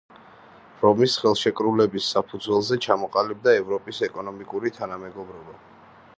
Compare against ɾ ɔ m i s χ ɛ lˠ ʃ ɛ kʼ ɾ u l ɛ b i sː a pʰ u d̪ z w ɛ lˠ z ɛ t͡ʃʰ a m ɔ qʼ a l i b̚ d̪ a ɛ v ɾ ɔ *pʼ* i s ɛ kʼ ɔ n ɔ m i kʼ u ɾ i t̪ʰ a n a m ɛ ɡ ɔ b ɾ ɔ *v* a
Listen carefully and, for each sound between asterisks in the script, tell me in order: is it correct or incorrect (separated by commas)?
correct, incorrect